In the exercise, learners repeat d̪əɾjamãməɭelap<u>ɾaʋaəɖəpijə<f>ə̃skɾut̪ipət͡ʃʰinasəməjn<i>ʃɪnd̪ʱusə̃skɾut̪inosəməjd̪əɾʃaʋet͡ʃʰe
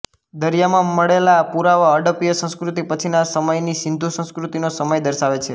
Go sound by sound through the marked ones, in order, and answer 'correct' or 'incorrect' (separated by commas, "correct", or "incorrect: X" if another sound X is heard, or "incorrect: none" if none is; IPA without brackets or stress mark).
correct, incorrect: s, correct